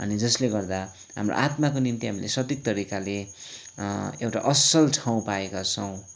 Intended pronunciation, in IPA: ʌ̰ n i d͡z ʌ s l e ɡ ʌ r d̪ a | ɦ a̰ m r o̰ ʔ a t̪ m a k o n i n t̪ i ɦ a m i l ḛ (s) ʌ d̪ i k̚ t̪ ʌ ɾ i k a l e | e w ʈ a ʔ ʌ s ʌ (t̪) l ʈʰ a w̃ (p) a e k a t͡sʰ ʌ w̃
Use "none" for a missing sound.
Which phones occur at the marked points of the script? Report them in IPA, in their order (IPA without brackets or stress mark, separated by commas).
s, none, p